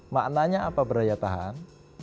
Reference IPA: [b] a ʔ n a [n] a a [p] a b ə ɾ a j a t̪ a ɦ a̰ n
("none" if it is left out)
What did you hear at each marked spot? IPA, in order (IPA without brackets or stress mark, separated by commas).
m, ɲ, p